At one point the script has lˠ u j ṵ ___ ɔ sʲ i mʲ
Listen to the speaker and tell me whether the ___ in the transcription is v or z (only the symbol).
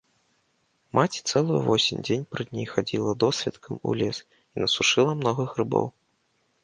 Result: v